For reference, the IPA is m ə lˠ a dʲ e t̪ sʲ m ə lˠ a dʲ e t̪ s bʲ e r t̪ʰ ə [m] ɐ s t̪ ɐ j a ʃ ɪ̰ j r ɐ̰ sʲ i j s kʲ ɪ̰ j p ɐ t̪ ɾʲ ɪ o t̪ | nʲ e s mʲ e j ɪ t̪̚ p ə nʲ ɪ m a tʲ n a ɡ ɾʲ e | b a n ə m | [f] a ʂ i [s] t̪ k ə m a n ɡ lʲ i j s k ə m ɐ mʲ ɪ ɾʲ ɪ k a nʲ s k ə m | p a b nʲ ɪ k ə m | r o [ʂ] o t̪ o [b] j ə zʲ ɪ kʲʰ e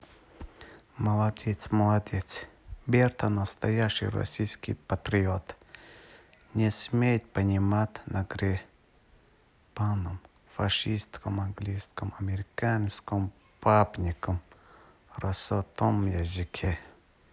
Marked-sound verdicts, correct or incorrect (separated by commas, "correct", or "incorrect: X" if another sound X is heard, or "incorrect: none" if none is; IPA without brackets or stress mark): incorrect: n, correct, correct, incorrect: s, incorrect: m